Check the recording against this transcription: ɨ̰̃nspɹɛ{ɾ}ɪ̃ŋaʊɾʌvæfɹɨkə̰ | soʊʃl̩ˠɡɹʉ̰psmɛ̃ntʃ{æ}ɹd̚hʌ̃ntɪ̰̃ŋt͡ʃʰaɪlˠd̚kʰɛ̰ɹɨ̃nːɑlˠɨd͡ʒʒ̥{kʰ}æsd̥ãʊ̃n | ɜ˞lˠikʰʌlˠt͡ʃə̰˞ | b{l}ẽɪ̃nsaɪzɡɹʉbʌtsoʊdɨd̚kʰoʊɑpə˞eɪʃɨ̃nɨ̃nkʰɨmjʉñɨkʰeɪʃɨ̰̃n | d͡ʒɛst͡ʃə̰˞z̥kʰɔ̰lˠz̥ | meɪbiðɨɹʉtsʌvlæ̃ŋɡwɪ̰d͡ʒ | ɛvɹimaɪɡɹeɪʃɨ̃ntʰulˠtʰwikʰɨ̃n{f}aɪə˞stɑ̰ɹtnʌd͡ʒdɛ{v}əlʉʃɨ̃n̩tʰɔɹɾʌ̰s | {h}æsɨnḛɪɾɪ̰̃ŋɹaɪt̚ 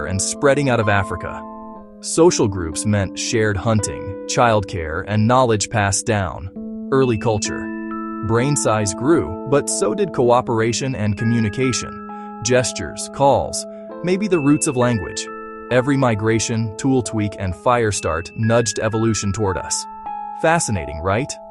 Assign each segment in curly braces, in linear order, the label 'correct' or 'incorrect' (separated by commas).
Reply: correct, incorrect, incorrect, incorrect, correct, correct, incorrect